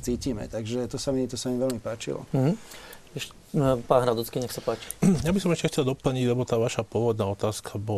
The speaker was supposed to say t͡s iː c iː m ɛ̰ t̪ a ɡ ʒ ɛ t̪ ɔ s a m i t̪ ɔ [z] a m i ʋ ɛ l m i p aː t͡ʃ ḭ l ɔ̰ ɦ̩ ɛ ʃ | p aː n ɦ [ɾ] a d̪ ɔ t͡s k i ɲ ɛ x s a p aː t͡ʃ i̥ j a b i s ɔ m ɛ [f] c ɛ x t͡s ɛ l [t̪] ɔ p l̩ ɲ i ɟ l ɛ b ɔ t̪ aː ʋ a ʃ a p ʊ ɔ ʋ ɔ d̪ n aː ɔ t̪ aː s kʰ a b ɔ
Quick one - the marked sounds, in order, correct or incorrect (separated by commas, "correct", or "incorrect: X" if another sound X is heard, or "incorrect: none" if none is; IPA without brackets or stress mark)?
incorrect: s, correct, incorrect: ʃ, incorrect: d̪